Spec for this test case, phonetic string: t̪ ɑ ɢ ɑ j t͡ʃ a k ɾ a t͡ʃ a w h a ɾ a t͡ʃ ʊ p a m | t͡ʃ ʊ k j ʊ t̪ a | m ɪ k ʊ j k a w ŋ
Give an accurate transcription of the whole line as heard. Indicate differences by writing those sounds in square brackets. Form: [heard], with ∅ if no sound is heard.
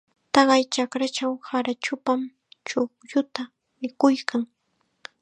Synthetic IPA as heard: t̪ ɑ ɢ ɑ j t͡ʃ a k ɾ a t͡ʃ a w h a ɾ a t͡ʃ ʊ p a m | t͡ʃ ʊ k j ʊ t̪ a | m ɪ k ʊ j k a [∅] ŋ